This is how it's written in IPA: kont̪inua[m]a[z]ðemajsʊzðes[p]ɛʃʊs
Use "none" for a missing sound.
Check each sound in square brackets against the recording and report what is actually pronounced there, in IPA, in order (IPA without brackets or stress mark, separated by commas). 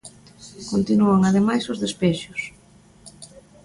ŋ, none, p